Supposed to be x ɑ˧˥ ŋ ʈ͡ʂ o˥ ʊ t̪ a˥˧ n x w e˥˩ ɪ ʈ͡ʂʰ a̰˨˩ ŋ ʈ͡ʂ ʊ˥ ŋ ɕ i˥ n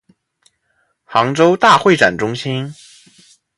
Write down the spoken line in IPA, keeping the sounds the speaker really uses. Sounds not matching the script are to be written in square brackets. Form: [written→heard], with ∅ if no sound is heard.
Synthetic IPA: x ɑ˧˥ ŋ ʈ͡ʂ o˥ ʊ t̪ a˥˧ [n→∅] x w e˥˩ ɪ [ʈ͡ʂʰ→ʈ͡ʂ] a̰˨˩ [ŋ→n] ʈ͡ʂ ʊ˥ ŋ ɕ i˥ n

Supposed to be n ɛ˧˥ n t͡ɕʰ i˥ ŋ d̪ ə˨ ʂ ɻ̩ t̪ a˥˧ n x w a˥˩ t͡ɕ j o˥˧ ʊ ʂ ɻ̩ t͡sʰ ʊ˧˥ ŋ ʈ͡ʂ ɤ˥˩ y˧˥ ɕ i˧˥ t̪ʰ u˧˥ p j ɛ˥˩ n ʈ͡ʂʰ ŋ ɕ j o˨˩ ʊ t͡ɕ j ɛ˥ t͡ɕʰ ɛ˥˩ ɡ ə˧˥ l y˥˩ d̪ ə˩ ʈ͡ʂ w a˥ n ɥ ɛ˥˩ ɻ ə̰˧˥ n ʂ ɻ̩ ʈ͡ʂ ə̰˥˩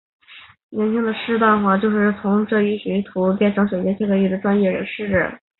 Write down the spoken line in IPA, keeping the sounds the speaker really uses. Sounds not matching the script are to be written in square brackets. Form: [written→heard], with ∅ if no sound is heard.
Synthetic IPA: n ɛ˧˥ n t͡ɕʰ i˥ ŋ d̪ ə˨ ʂ ɻ̩ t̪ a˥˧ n x w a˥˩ t͡ɕ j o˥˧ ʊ ʂ ɻ̩ t͡sʰ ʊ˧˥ ŋ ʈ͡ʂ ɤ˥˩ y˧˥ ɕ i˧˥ t̪ʰ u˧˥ p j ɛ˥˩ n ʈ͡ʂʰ ŋ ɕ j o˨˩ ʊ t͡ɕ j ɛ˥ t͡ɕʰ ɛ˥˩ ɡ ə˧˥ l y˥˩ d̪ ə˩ ʈ͡ʂ w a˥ n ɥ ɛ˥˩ ɻ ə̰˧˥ n ʂ ɻ̩ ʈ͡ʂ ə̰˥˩

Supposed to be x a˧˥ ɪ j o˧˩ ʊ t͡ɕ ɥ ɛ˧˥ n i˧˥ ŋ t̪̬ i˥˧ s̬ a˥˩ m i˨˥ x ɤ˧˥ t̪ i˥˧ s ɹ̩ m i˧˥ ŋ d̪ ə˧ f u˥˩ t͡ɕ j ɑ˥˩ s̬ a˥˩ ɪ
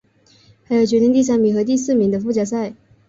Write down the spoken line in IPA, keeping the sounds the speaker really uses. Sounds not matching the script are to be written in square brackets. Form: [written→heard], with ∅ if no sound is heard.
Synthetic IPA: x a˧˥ ɪ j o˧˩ ʊ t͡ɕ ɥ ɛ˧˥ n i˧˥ ŋ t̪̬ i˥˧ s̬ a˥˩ m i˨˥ x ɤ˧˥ t̪ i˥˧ s ɹ̩ m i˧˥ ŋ d̪ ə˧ f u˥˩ t͡ɕ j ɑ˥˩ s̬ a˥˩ ɪ

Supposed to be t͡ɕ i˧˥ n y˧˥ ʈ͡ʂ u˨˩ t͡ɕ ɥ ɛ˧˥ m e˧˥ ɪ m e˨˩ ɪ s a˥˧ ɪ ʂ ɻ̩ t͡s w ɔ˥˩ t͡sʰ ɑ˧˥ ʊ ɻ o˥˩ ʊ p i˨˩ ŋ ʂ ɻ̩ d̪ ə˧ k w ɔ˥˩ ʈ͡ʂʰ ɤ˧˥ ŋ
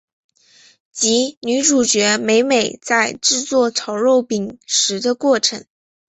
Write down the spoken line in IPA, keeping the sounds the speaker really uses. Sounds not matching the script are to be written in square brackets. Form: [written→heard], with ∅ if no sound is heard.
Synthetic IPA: t͡ɕ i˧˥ n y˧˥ ʈ͡ʂ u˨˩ t͡ɕ ɥ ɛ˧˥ m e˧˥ ɪ m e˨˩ ɪ [s→t͡s] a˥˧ ɪ [ʂ→ʈ͡ʂ] ɻ̩ t͡s w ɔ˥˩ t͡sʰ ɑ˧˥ ʊ ɻ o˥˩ ʊ p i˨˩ ŋ ʂ ɻ̩ d̪ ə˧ k w ɔ˥˩ ʈ͡ʂʰ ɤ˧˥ ŋ

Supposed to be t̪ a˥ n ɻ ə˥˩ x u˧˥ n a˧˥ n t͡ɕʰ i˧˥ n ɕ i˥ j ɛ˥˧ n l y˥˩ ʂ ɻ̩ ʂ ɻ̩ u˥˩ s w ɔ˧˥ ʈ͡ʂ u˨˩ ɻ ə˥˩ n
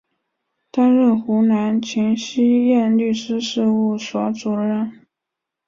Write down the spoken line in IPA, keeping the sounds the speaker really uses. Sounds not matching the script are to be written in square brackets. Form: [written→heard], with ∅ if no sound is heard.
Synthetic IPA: t̪ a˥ n ɻ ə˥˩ x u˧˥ n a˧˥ n t͡ɕʰ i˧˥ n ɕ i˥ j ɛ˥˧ n l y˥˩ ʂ ɻ̩ ʂ ɻ̩ u˥˩ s w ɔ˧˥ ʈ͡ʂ u˨˩ ɻ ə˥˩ n

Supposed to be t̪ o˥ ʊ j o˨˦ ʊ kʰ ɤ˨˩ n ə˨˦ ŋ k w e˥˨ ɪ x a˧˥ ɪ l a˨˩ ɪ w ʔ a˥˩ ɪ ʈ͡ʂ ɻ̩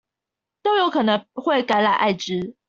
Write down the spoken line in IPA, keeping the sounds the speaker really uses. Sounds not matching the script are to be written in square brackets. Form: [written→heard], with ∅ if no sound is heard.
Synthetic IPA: t̪ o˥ ʊ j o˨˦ ʊ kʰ ɤ˨˩ n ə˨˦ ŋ [k→x] w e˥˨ ɪ [x→k] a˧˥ ɪ l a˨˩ ɪ [w→∅] ʔ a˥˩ ɪ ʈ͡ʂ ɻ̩

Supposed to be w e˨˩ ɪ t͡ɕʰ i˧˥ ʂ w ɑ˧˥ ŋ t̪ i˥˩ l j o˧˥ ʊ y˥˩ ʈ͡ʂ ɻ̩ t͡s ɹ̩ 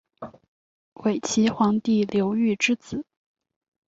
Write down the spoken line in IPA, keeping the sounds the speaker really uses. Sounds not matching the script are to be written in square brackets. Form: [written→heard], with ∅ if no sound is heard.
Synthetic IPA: w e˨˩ ɪ t͡ɕʰ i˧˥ [ʂ→x] w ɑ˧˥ ŋ t̪ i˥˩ l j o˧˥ ʊ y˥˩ ʈ͡ʂ ɻ̩ t͡s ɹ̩

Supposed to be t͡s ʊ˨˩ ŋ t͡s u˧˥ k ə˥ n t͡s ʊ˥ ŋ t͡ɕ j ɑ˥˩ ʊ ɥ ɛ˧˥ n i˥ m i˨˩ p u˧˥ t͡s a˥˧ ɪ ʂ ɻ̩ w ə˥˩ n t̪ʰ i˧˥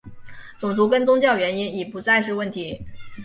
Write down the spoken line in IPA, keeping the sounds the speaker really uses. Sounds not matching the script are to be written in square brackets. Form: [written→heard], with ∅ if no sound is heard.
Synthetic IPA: t͡s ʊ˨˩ ŋ t͡s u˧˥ k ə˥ n t͡s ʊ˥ ŋ t͡ɕ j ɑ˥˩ ʊ ɥ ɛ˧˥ n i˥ [m→n] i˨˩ p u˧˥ t͡s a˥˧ ɪ ʂ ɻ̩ w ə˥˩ n t̪ʰ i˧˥

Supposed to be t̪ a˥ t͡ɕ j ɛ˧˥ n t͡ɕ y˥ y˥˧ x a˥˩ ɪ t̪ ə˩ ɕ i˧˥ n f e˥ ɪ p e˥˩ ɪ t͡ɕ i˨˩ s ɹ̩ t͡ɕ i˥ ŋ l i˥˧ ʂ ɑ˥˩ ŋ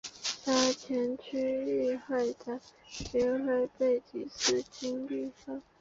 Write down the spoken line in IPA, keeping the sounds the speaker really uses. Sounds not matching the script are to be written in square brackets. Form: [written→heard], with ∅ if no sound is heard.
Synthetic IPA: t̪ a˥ [t͡ɕ→t͡ɕʰ] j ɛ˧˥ n [t͡ɕ→t͡ɕʰ] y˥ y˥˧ x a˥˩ ɪ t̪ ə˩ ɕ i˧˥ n [f→x] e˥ ɪ p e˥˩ ɪ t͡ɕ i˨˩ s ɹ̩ t͡ɕ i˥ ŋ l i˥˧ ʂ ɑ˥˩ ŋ

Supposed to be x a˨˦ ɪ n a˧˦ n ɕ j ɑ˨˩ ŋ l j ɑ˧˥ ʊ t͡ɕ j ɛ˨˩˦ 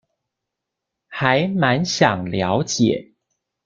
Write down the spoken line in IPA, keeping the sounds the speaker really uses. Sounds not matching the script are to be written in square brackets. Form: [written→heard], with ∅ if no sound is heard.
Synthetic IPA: x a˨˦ ɪ [n→m] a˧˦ n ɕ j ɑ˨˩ ŋ l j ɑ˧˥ ʊ t͡ɕ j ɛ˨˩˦

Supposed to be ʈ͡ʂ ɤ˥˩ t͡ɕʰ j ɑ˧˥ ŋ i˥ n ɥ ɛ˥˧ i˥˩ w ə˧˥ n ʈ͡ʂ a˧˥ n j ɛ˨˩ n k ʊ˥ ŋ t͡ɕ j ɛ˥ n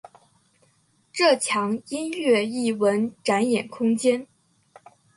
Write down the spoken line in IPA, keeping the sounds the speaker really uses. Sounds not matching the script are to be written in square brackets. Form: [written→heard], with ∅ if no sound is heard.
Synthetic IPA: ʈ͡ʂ ɤ˥˩ t͡ɕʰ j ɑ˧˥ ŋ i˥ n ɥ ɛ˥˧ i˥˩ w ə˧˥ n ʈ͡ʂ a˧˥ n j ɛ˨˩ n [k→kʰ] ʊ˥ ŋ t͡ɕ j ɛ˥ n

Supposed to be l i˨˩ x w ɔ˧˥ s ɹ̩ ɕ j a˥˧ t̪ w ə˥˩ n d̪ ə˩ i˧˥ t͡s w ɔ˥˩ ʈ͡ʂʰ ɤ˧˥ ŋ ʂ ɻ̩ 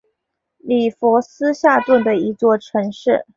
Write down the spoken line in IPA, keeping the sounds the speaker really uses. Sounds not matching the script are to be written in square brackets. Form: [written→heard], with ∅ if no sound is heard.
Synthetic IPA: l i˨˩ [x→f] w ɔ˧˥ s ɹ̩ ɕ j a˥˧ t̪ w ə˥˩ n d̪ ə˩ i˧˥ t͡s w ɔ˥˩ ʈ͡ʂʰ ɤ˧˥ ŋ ʂ ɻ̩

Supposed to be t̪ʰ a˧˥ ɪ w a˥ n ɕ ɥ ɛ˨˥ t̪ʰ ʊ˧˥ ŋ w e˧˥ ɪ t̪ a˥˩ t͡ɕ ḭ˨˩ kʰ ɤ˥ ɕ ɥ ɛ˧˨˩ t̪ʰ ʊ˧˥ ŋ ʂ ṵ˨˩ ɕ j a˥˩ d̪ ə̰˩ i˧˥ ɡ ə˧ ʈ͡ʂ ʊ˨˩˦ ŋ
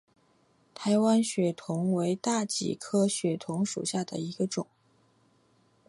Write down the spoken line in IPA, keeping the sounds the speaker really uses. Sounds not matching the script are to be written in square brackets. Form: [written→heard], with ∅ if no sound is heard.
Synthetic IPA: t̪ʰ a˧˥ ɪ w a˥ n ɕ ɥ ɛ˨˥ t̪ʰ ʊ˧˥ ŋ w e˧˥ ɪ t̪ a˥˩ t͡ɕ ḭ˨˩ kʰ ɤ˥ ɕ ɥ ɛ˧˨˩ t̪ʰ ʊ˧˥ ŋ ʂ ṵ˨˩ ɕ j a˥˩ d̪ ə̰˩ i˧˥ ɡ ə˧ ʈ͡ʂ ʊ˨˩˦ ŋ

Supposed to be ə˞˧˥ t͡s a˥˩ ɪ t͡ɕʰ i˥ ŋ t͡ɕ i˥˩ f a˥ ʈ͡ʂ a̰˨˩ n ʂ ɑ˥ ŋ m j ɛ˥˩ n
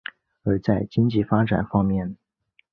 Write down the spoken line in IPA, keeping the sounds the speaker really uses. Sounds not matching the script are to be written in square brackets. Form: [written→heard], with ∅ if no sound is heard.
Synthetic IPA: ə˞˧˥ t͡s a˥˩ ɪ [t͡ɕʰ→t͡ɕ] i˥ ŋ t͡ɕ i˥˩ f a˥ ʈ͡ʂ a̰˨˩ n [ʂ→f] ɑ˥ ŋ m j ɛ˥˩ n

